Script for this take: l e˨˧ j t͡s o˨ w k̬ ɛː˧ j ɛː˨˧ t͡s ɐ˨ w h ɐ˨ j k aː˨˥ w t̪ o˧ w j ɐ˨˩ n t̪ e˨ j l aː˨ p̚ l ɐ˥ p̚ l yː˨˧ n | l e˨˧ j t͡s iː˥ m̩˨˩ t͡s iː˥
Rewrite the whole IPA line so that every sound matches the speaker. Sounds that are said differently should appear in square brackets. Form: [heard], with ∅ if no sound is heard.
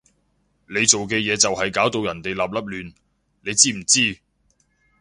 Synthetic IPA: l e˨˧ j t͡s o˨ w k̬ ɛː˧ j ɛː˨˧ t͡s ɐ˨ w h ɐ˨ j k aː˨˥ w t̪ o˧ w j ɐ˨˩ n t̪ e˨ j l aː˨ p̚ l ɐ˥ p̚ l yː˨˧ n | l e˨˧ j t͡s iː˥ m̩˨˩ t͡s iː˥